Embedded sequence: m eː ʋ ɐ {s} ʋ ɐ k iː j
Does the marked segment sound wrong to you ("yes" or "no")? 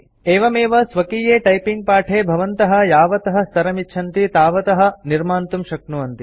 no